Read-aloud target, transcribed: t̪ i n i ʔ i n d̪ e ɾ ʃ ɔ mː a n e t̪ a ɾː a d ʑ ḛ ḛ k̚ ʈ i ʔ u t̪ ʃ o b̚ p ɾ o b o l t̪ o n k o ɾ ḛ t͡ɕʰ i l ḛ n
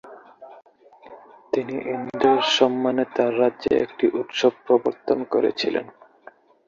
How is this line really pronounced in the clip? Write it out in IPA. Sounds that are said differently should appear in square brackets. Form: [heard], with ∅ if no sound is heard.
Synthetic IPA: t̪ i n i ʔ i n d̪ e ɾ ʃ ɔ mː a n e t̪ a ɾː a d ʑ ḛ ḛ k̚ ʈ i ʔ u t̪ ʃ o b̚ p ɾ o b o [ɾ] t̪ o n k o ɾ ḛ t͡ɕʰ i l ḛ n